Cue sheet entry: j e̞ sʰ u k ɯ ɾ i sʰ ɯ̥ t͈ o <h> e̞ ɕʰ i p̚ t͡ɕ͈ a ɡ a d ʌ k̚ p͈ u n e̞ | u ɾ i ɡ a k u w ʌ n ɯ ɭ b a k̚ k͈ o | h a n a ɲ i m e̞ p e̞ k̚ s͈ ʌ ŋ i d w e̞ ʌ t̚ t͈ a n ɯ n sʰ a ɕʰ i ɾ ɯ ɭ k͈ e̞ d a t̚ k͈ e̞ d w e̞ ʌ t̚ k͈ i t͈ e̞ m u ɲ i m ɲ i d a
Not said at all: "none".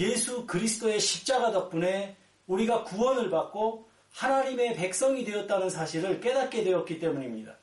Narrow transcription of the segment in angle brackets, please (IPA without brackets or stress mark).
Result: none